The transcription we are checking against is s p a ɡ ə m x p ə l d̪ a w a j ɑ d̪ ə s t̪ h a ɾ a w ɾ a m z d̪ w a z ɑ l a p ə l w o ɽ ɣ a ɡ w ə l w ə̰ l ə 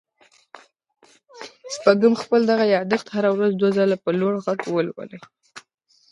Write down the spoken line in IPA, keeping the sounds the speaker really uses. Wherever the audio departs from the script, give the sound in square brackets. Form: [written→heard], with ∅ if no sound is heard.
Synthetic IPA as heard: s p a ɡ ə m x p ə l d̪ a [w→ɣ] a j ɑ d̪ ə [s→x] t̪ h a ɾ a w ɾ a [m→∅] z d̪ w a z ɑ l a p ə l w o ɽ ɣ a ɡ w ə l w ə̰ l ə